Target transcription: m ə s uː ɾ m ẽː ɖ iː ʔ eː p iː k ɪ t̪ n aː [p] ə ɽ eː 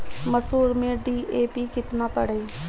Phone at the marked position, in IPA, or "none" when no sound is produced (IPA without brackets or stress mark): p